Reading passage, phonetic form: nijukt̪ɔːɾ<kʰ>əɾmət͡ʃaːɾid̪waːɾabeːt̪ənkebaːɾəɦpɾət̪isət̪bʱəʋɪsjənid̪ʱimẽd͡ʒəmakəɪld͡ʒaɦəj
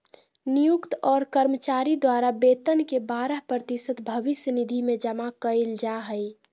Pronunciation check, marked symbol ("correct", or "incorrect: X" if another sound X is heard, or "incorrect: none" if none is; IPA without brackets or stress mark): incorrect: k